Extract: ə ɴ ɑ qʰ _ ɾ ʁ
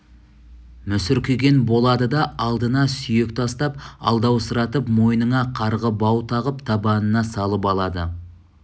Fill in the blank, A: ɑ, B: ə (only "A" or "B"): A